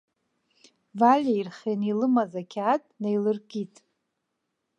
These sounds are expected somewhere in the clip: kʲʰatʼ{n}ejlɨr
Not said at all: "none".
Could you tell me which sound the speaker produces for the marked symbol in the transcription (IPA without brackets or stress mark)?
n